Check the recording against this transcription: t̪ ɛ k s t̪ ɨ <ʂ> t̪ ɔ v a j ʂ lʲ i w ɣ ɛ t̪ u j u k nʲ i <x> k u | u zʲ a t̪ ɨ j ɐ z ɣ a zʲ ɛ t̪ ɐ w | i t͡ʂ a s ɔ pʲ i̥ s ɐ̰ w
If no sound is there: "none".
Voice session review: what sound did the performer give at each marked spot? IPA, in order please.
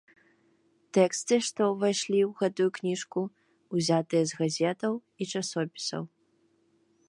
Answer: ʂ, ʂ

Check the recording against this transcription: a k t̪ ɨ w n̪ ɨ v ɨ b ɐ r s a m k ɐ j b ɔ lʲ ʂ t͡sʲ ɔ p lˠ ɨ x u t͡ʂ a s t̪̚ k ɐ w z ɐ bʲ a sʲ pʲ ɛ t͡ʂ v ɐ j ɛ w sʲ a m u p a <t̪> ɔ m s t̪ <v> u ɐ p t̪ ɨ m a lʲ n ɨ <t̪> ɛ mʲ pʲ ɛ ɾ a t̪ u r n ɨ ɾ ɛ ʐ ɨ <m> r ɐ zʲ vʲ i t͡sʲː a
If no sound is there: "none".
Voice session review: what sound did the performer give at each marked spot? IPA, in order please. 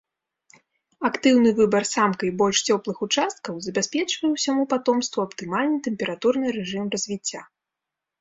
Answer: t̪, v, t̪, m

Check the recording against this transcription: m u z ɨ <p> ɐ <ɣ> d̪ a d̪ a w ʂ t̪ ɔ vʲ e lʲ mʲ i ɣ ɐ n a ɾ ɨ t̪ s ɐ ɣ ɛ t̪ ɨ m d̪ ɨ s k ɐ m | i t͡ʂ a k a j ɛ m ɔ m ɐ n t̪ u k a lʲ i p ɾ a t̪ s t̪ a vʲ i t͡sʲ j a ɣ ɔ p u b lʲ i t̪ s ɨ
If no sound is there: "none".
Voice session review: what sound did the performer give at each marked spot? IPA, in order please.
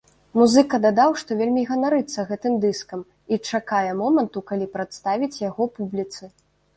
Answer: k, none

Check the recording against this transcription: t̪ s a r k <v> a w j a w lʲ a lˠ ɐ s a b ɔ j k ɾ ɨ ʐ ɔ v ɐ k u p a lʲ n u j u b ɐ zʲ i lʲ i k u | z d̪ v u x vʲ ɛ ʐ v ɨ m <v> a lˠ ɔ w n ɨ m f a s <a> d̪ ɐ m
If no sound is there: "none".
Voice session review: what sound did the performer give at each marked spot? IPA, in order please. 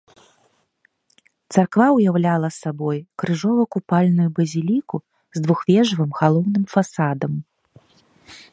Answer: v, ɣ, a

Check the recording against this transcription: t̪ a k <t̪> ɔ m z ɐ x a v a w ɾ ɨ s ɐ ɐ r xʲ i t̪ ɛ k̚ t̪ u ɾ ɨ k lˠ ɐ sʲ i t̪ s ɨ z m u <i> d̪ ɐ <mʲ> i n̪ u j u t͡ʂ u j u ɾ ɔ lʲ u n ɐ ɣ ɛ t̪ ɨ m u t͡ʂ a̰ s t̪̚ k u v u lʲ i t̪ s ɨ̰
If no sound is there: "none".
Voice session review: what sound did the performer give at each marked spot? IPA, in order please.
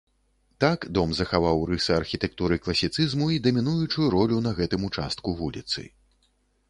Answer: d̪, i, mʲ

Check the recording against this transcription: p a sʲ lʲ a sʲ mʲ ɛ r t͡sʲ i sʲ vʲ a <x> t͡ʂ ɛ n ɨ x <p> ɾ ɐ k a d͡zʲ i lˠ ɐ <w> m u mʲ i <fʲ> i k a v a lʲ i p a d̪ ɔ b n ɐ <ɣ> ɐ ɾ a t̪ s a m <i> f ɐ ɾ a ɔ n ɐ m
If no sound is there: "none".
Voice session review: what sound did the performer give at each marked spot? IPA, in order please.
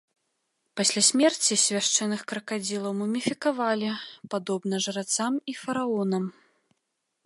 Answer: ʂ, k, w, fʲ, ʐ, i

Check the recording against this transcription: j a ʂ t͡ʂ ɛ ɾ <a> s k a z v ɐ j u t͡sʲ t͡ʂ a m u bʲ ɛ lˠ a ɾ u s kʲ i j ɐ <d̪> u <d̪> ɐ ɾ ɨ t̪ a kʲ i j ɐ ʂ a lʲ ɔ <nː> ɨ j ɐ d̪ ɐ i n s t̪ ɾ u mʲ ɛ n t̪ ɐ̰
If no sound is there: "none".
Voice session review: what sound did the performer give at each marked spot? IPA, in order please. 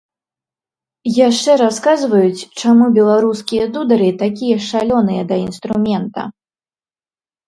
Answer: a, d̪, d̪, n

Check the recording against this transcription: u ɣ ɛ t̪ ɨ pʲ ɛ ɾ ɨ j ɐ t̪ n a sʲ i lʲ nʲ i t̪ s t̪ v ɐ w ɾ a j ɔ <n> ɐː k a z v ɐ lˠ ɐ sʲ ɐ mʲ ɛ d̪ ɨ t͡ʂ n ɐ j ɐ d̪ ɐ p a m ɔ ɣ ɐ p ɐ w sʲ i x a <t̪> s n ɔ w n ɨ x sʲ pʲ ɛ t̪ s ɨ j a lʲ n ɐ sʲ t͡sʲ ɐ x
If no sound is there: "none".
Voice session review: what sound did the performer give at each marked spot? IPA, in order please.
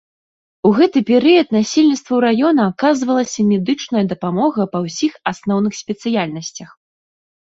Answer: n, none

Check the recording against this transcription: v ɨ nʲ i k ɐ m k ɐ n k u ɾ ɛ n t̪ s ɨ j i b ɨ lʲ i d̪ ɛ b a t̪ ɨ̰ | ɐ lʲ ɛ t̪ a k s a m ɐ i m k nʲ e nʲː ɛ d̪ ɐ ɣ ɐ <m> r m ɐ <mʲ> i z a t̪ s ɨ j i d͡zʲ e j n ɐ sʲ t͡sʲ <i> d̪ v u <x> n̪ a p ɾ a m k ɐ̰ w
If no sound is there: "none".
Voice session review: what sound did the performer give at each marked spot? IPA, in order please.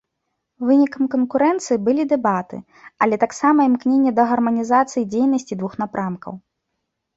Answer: none, nʲ, i, x

